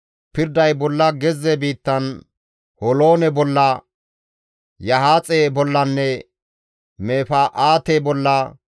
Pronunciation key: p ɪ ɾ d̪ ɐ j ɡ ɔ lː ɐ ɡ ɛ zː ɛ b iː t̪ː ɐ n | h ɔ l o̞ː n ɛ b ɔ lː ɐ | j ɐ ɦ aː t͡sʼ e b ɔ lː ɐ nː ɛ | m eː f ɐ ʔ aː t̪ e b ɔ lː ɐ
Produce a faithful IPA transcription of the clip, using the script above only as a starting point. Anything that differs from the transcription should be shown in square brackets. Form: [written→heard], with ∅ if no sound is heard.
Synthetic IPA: p ɪ ɾ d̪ ɐ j [ɡ→b] ɔ lː ɐ ɡ ɛ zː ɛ b iː t̪ː ɐ n | h ɔ l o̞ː n ɛ b ɔ lː ɐ | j ɐ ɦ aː t͡sʼ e b ɔ lː ɐ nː ɛ | m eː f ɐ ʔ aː t̪ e b ɔ lː ɐ